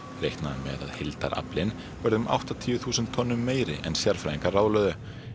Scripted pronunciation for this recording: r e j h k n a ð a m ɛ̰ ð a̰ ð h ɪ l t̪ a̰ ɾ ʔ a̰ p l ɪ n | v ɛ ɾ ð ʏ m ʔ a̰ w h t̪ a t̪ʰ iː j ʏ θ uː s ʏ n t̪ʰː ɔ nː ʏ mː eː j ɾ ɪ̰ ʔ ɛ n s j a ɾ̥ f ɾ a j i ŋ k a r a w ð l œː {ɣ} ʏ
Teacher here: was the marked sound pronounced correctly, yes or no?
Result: no